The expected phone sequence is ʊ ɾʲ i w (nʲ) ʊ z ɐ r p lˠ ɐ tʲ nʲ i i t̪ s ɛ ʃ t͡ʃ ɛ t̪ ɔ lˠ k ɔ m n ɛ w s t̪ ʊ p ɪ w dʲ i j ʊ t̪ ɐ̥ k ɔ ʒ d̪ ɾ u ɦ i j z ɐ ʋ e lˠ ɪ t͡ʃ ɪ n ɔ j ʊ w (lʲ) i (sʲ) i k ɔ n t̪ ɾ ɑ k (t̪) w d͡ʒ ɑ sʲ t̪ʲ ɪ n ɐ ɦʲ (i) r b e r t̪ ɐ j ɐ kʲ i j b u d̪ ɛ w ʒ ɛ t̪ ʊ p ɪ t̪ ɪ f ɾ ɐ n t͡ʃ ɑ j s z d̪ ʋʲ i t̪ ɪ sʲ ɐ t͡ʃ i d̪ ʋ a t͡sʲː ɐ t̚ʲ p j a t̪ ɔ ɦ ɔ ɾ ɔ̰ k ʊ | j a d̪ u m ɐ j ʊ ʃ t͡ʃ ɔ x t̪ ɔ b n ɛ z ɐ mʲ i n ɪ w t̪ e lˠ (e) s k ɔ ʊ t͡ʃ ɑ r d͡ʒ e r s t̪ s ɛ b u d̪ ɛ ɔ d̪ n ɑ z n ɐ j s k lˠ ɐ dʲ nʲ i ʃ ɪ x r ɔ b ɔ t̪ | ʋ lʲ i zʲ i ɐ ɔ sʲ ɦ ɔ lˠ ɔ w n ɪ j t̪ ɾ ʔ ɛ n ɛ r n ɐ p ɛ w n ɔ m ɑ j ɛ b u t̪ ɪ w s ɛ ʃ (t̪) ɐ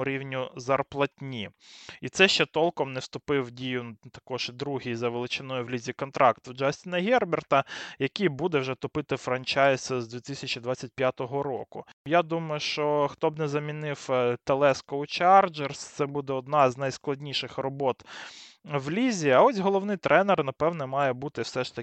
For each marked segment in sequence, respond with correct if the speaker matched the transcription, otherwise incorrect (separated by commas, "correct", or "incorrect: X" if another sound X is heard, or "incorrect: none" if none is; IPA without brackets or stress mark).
correct, correct, incorrect: zʲ, correct, incorrect: ɛ, incorrect: ɛ, correct